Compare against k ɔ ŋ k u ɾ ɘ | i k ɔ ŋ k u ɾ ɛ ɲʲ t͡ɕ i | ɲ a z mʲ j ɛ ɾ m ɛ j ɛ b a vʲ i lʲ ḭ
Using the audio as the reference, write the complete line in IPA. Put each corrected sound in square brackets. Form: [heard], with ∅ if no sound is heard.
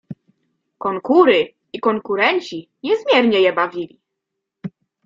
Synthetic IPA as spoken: k ɔ ŋ k u ɾ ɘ | i k ɔ ŋ k u ɾ ɛ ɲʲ t͡ɕ i | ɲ [ɛ] z mʲ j ɛ ɾ [ɲ] ɛ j ɛ b a vʲ i lʲ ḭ